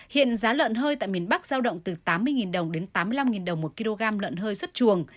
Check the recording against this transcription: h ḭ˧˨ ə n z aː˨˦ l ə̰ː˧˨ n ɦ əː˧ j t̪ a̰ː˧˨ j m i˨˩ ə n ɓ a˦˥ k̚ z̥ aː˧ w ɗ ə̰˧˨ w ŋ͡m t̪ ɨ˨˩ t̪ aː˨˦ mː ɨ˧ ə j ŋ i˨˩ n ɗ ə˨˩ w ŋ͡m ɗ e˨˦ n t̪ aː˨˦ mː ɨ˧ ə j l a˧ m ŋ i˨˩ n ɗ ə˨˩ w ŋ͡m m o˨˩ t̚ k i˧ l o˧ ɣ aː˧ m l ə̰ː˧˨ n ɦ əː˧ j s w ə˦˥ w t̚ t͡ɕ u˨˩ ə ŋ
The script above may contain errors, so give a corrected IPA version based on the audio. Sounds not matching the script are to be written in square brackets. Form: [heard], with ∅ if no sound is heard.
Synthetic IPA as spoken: h ḭ˧˨ ə n z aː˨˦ l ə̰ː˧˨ n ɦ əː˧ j t̪ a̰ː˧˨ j m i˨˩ ə n ɓ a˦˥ k̚ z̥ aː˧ w ɗ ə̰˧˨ w ŋ͡m t̪ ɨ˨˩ t̪ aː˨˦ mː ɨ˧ ə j ŋ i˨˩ n ɗ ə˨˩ w ŋ͡m ɗ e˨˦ n t̪ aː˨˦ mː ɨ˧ ə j l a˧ m ŋ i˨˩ n ɗ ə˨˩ w ŋ͡m m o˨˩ t̚ k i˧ l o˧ ɣ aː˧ m l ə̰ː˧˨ n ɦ əː˧ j s w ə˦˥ [∅] t̚ t͡ɕ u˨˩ ə ŋ